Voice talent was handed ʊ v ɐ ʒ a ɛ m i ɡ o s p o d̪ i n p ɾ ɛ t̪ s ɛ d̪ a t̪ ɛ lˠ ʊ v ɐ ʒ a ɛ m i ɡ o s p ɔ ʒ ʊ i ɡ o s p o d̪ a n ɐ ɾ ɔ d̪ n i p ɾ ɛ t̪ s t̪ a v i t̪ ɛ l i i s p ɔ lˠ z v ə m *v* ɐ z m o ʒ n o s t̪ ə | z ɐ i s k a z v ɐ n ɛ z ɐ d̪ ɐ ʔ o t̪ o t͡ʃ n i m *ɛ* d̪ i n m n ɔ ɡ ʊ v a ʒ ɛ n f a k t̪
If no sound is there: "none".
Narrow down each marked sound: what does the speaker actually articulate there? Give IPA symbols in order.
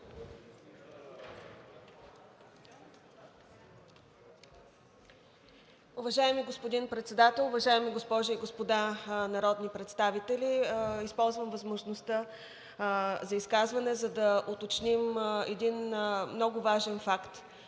v, ɛ

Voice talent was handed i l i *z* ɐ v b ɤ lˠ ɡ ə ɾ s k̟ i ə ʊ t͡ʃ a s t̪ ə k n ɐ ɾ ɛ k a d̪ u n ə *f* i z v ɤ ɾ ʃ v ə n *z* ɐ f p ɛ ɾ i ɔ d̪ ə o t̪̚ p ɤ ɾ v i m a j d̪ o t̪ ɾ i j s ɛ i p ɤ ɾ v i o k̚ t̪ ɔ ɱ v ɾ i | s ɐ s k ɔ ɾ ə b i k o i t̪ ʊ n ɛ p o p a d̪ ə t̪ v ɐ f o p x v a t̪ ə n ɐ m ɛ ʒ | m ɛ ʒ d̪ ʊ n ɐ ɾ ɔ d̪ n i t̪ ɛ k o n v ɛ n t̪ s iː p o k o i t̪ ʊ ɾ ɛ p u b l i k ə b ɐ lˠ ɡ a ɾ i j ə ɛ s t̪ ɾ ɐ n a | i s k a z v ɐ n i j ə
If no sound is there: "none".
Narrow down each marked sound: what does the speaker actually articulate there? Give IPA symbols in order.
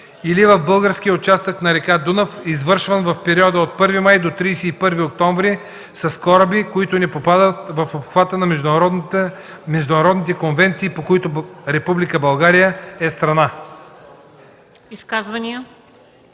v, f, v

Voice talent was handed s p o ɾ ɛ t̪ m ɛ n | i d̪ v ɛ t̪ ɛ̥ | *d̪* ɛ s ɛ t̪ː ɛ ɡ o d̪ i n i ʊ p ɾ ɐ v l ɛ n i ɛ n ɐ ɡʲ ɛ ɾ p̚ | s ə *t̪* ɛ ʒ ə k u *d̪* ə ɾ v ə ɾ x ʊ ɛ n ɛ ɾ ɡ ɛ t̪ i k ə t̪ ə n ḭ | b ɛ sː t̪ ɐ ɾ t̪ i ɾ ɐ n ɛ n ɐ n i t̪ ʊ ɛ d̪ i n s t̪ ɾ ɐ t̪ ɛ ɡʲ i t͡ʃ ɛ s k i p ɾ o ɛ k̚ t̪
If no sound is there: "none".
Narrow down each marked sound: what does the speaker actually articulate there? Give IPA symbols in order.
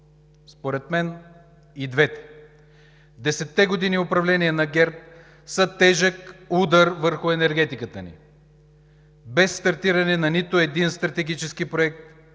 d̪, t̪, d̪

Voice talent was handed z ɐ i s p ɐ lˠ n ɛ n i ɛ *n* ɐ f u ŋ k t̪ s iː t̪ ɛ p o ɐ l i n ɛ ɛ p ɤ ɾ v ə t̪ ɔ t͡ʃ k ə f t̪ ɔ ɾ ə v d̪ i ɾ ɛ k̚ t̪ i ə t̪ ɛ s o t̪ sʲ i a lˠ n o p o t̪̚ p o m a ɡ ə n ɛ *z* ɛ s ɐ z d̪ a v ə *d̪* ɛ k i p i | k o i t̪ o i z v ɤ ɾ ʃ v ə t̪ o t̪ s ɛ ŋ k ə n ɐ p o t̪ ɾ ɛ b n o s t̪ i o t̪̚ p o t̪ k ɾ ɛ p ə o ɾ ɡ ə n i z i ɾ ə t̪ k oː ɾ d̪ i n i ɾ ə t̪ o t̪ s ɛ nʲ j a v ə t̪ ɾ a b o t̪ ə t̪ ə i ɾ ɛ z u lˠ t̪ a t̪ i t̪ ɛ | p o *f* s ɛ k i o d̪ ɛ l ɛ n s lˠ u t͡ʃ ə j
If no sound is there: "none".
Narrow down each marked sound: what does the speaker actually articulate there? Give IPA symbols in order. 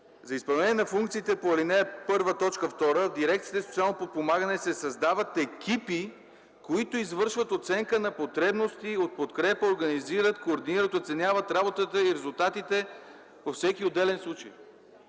n, s, t̪, f

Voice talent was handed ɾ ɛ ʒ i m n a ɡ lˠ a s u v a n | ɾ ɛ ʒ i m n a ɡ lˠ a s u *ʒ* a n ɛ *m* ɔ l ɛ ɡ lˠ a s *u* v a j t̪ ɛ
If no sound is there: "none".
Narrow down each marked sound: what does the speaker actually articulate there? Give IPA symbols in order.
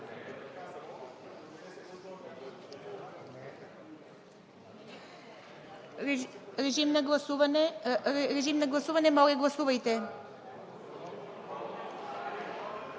v, m, u

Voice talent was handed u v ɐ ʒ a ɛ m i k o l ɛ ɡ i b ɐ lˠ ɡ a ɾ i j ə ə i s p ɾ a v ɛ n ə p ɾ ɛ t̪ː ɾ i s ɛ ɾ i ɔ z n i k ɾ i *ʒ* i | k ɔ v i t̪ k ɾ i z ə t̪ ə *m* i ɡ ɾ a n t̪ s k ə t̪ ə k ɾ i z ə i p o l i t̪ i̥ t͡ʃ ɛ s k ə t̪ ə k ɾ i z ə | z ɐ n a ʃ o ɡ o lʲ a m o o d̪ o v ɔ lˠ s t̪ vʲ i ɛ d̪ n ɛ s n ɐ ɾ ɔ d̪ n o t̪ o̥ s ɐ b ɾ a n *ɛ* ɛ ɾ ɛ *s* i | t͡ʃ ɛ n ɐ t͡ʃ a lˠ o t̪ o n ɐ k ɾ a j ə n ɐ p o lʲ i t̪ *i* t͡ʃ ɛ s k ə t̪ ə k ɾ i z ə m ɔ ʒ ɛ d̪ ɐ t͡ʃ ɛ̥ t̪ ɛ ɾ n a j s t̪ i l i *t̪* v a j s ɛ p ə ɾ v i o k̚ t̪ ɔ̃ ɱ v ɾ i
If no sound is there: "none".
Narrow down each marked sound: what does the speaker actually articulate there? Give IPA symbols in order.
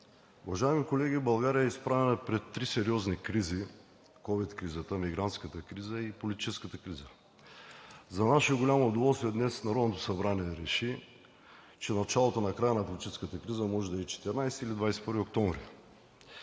z, m, i, ʃ, i, d̪

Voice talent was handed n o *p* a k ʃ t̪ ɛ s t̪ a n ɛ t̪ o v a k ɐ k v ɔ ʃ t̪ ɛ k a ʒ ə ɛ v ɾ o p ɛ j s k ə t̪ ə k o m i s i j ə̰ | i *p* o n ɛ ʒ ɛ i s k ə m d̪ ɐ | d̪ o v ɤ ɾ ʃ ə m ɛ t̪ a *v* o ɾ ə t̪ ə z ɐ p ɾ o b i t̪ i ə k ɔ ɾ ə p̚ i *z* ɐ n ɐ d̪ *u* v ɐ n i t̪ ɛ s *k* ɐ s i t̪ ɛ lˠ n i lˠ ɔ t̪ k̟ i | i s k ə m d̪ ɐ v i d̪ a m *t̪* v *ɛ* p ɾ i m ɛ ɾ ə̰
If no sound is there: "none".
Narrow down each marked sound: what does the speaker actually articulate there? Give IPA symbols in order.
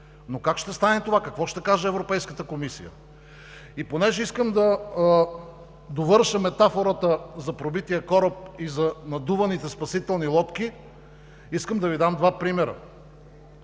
k, p, f, z, u, p, d̪, a

